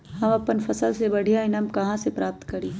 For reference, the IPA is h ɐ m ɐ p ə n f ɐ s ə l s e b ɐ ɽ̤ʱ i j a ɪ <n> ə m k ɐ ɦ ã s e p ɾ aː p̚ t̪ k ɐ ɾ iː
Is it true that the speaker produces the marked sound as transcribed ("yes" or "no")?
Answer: yes